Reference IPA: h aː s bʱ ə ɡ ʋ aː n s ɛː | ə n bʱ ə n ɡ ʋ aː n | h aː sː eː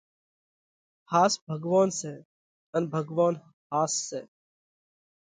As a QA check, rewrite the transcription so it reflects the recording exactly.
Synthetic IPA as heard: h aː s bʱ ə ɡ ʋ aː n s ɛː | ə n bʱ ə ɡ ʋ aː n | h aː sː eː